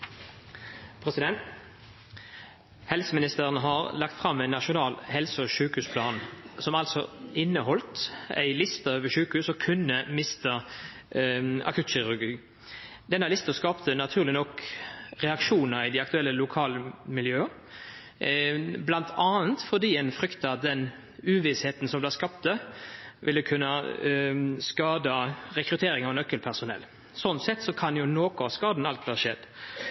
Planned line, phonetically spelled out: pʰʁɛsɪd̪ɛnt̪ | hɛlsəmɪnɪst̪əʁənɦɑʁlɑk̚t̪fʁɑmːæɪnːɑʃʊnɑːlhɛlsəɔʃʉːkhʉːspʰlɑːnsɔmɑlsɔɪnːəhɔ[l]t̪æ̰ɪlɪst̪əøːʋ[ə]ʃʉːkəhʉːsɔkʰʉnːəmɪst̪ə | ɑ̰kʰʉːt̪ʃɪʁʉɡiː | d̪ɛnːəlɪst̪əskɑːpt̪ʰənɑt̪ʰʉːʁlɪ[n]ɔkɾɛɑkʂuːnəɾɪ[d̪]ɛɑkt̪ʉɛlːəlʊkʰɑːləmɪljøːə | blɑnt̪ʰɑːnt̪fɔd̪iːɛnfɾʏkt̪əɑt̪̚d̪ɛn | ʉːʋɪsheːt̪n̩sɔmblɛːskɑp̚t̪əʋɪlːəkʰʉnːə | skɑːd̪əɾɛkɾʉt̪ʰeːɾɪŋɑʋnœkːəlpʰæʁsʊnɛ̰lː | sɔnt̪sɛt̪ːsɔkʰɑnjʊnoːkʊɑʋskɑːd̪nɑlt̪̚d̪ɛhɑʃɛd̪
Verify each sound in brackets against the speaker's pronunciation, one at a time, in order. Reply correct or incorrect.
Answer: correct, correct, correct, correct

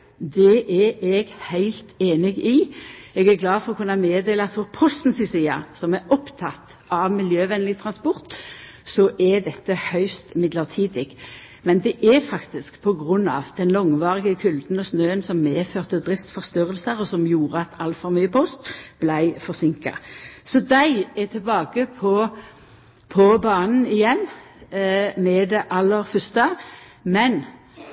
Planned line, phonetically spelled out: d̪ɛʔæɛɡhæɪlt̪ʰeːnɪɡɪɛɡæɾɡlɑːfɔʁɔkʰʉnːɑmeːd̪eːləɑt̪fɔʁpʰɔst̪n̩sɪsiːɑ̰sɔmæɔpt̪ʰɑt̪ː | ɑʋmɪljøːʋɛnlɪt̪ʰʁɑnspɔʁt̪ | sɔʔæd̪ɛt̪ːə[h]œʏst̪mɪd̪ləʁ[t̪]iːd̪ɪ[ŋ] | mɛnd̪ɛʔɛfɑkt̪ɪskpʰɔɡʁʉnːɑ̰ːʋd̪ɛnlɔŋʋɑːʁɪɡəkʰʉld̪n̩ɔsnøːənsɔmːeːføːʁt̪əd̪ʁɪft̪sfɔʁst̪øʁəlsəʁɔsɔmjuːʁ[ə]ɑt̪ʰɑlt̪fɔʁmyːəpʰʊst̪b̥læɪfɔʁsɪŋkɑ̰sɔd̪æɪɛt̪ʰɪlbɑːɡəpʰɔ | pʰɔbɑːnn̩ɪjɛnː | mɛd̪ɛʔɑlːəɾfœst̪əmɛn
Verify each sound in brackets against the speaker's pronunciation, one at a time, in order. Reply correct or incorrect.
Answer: correct, incorrect: t̪ʰ, incorrect: ɡ, correct

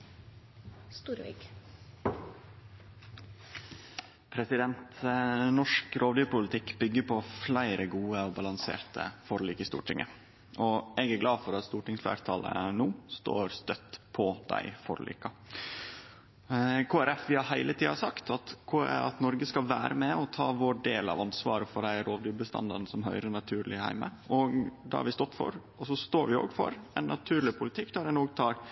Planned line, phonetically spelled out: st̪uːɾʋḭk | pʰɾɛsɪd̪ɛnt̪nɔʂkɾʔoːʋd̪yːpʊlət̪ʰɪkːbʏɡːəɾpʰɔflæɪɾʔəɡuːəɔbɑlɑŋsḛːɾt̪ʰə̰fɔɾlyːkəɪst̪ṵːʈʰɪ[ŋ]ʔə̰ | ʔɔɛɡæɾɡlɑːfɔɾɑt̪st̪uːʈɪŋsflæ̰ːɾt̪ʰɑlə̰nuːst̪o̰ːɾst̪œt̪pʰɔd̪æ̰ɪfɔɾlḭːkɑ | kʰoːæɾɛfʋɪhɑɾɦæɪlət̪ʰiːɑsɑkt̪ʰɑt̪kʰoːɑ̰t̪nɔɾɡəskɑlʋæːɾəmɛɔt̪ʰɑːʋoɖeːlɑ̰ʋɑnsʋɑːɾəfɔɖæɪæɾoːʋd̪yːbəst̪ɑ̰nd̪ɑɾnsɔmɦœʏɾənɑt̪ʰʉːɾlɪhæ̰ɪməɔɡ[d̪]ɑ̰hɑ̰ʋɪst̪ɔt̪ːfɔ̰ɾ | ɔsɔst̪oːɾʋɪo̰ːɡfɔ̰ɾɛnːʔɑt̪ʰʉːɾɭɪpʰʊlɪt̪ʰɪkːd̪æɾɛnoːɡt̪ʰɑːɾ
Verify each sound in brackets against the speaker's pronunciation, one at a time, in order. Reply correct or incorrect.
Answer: correct, correct

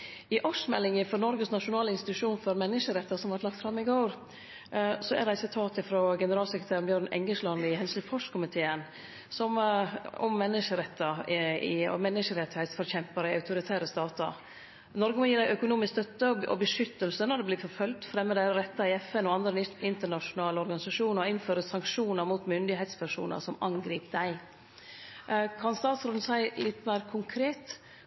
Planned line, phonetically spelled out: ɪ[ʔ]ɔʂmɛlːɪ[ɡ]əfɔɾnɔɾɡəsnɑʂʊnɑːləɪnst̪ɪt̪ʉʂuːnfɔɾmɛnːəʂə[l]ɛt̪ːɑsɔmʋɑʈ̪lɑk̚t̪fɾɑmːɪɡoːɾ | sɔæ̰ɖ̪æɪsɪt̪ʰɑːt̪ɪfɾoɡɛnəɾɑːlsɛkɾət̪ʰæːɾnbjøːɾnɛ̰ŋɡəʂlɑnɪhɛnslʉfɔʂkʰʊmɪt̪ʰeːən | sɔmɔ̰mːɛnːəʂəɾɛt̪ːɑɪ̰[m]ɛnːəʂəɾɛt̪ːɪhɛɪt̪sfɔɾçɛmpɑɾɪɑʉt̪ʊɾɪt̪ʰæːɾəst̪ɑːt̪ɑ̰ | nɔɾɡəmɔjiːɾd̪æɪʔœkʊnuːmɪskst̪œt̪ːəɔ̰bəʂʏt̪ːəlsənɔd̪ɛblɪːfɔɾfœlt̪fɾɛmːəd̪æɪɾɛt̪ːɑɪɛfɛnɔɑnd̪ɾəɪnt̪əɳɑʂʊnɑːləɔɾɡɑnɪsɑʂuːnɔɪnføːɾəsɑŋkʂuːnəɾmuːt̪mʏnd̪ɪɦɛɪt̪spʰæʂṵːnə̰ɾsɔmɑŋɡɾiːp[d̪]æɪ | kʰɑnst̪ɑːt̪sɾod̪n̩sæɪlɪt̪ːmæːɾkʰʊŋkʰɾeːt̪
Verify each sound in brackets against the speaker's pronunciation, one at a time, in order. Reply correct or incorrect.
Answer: correct, incorrect: ŋ, incorrect: ɾ, correct, correct

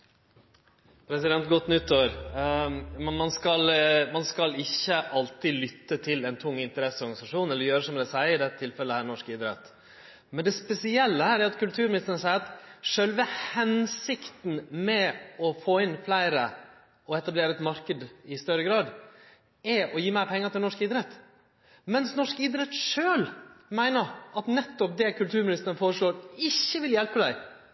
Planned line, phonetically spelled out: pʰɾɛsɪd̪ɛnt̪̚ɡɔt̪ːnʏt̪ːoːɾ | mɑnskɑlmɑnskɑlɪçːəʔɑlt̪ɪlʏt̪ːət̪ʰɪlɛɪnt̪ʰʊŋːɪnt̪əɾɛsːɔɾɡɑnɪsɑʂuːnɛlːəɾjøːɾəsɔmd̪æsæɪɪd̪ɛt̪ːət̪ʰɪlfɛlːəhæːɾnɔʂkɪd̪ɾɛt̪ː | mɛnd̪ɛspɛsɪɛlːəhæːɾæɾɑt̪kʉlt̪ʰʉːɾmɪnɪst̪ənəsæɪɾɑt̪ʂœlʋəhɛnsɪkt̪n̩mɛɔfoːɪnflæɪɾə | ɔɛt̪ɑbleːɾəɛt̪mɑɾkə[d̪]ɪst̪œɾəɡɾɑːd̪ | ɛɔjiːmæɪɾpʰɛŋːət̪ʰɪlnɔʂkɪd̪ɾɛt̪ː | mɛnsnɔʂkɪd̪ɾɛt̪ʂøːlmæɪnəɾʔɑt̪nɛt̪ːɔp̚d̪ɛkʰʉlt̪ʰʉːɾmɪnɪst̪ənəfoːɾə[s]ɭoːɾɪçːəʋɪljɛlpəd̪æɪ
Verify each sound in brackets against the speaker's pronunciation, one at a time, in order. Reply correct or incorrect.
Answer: correct, incorrect: ʂ

